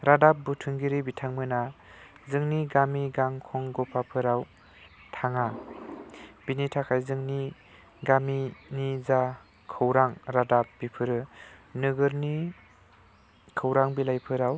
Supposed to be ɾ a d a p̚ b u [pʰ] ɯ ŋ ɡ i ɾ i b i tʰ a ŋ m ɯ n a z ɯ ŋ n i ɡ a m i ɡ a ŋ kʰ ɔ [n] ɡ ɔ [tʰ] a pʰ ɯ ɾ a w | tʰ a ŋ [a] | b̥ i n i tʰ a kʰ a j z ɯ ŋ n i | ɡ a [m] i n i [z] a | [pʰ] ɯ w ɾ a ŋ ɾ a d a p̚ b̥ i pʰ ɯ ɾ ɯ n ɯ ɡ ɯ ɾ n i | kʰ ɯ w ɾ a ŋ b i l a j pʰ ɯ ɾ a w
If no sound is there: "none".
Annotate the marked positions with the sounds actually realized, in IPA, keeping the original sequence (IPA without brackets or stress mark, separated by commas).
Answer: tʰ, ŋ, pʰ, a, m, z, kʰ